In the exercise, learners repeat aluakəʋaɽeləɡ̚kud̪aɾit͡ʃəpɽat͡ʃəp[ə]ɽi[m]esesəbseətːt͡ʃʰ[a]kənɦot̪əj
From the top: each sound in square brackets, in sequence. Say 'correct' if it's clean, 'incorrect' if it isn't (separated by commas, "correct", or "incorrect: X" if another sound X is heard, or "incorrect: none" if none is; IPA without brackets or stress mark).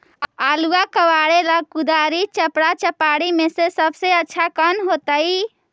incorrect: a, correct, correct